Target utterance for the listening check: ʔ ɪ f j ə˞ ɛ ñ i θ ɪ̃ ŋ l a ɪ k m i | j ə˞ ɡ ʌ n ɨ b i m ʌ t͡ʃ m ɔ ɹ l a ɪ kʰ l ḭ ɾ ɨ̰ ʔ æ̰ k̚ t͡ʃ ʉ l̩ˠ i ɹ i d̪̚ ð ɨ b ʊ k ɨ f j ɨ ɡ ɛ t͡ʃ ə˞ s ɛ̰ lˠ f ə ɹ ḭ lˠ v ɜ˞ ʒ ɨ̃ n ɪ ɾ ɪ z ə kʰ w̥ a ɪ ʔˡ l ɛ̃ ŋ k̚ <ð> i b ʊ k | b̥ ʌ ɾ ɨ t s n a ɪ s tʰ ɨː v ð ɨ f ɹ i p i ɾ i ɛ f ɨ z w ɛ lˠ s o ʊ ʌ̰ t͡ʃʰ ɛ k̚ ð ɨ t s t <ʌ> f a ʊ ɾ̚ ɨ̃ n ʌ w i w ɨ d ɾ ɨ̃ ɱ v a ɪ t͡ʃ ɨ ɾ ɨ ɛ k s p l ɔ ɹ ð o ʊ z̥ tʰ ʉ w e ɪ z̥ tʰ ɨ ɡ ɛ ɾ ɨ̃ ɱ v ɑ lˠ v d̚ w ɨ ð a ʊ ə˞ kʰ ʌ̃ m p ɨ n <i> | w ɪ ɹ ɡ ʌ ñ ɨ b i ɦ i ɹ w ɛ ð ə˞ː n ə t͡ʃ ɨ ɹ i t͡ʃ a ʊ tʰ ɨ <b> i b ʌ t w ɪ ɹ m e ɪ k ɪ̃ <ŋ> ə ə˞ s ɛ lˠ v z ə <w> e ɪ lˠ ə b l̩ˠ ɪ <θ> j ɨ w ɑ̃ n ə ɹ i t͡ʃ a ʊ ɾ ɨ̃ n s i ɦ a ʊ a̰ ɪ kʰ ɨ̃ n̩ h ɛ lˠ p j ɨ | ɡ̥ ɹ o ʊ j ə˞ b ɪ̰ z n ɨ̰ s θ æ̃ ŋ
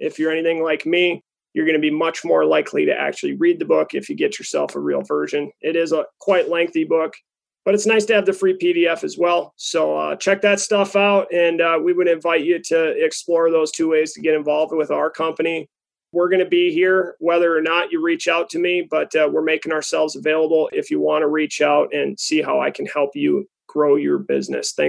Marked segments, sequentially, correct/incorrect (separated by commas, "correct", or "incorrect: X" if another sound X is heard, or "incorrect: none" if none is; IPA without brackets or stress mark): incorrect: θ, correct, correct, incorrect: m, correct, incorrect: v, incorrect: f